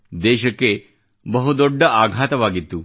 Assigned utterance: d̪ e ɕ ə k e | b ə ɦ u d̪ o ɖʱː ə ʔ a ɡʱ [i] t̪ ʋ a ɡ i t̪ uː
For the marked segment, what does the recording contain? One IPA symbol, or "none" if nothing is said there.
a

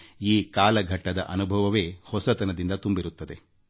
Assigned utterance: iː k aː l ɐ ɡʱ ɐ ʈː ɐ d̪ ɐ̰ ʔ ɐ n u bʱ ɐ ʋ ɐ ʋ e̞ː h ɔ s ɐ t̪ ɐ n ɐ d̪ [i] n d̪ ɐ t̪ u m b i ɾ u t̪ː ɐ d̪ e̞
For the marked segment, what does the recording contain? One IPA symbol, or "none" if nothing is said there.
i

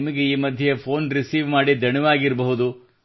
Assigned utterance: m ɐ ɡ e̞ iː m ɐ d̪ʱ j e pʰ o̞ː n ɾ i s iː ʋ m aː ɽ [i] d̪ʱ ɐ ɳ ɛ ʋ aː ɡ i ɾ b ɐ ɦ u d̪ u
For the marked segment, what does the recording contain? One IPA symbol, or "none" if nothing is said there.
i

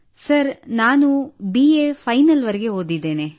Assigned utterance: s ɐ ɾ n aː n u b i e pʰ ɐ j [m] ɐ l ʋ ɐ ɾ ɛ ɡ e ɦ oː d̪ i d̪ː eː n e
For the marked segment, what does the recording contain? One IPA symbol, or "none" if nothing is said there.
n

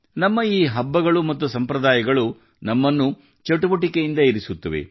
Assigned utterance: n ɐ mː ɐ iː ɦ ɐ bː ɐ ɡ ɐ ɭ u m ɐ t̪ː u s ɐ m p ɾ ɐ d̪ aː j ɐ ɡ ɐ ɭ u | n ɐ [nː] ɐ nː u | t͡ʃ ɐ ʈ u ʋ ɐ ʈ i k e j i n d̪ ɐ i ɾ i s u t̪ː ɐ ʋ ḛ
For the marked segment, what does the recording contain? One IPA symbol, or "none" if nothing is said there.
mː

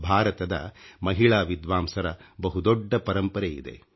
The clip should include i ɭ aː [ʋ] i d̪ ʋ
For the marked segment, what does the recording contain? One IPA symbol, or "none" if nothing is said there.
ʋ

